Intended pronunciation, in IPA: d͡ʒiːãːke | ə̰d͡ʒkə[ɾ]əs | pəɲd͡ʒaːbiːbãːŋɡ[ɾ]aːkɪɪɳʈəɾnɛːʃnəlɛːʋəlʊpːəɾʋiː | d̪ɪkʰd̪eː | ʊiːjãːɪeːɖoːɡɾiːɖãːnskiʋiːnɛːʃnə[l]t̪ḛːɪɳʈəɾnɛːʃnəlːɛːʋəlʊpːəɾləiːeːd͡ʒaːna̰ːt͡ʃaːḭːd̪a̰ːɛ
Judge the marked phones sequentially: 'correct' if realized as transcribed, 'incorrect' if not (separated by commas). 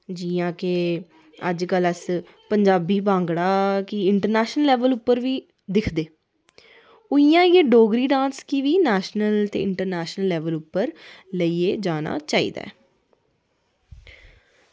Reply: incorrect, incorrect, correct